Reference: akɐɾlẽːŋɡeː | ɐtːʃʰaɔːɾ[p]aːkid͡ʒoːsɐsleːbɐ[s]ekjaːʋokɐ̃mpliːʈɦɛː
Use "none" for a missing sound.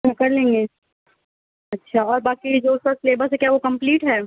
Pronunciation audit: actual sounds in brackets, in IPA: b, s

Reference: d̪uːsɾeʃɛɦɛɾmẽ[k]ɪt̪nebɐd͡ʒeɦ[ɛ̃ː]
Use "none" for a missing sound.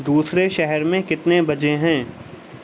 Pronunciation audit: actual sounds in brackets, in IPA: k, ɛ̃ː

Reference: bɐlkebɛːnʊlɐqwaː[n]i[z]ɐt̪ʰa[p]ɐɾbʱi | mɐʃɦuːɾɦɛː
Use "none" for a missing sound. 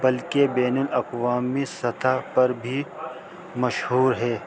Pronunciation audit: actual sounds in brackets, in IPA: m, s, p

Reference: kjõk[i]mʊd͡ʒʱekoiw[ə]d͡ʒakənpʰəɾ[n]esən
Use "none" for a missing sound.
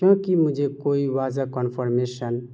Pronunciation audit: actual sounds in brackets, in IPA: i, a, m

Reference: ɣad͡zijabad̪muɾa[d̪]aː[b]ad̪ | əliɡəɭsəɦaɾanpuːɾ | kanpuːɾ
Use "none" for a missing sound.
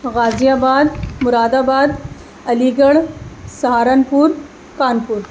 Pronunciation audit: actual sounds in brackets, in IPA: d̪, b

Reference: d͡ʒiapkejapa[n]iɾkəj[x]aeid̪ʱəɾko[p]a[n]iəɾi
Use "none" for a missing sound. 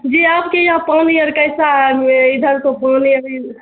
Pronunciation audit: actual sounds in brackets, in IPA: n, s, p, n

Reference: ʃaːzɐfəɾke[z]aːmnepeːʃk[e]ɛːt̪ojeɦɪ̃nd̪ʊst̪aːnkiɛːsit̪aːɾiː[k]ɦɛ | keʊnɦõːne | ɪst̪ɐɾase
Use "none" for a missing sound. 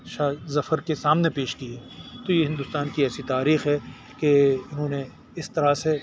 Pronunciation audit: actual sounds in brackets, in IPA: s, i, x

